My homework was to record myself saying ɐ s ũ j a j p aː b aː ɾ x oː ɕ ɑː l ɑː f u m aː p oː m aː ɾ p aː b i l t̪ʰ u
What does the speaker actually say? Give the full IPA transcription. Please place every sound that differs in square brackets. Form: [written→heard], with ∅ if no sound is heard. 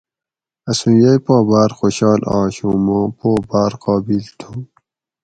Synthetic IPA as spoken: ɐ s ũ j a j p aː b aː ɾ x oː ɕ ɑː l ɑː [f→ɕ] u m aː p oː [m→b] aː ɾ [p→q] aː b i l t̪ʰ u